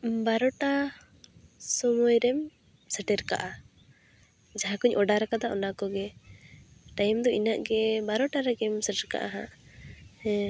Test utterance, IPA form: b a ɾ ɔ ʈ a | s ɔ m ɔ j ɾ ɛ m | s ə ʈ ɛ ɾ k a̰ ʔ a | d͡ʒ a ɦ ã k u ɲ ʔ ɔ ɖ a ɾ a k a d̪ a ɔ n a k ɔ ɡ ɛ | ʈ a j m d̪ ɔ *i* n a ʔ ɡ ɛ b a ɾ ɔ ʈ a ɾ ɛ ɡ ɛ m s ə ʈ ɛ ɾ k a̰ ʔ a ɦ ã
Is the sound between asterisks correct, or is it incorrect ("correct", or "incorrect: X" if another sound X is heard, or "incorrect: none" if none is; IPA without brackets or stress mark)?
correct